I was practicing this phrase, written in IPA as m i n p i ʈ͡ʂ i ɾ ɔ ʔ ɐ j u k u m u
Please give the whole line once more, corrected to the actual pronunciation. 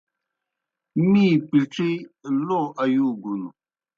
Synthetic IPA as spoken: m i p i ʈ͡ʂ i l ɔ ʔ a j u ɡ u n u

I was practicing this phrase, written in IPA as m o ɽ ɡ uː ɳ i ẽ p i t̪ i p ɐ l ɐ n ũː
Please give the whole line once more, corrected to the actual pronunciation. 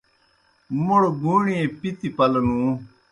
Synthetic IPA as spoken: m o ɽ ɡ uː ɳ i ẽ p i t̪ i p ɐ l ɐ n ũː

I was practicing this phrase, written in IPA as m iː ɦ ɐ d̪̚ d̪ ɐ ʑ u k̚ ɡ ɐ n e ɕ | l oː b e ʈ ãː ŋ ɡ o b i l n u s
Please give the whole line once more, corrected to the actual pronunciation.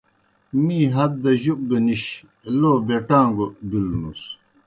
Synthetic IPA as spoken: m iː ɦ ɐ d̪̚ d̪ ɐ ʑ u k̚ ɡ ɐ n i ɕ | l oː b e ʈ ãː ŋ ɡ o b i l n u s

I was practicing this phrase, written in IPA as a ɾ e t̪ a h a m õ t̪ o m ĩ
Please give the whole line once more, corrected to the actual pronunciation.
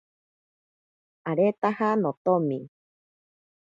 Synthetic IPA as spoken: a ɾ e t̪ a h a n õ t̪ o m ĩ

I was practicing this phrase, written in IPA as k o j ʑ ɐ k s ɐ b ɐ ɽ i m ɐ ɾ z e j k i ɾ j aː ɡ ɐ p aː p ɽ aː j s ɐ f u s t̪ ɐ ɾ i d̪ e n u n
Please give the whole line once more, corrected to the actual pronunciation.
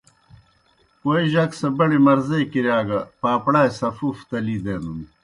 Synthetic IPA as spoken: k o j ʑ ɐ k s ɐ b ɐ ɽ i m ɐ ɾ z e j k i ɾ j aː ɡ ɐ p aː p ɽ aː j s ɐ f u f t̪ ɐ l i d̪ e n u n

